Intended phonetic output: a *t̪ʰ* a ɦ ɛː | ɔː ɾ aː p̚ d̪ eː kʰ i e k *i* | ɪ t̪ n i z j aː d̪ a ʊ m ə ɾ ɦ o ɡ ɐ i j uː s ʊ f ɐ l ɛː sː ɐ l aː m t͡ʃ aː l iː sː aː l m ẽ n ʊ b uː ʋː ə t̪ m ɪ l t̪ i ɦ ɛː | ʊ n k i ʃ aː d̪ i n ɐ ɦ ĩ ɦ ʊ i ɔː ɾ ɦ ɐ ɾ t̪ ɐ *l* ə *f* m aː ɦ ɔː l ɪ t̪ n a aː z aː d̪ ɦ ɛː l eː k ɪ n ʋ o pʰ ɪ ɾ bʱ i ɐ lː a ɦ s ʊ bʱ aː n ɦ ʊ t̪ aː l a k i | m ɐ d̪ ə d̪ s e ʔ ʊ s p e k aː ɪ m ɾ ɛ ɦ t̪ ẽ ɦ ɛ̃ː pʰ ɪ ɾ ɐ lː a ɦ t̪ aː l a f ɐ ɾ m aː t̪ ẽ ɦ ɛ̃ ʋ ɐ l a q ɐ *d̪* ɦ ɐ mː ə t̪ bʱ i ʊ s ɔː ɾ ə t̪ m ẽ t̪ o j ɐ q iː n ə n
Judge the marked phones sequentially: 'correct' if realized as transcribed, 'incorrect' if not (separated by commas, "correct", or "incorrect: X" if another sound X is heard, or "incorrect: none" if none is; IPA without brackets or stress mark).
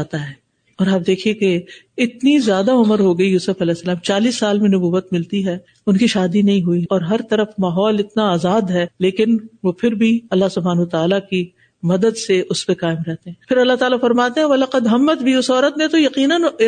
incorrect: t̪, incorrect: e, incorrect: ɾ, correct, correct